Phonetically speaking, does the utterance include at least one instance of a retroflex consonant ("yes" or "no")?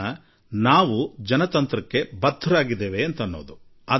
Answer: no